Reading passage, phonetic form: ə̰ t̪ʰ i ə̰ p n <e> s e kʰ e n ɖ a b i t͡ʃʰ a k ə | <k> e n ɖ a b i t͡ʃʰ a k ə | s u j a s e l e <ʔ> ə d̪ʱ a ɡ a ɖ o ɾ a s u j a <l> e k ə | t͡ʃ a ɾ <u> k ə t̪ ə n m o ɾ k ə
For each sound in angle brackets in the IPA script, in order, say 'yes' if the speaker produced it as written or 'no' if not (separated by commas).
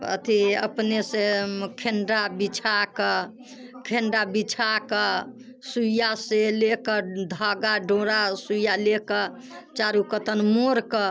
yes, no, no, yes, yes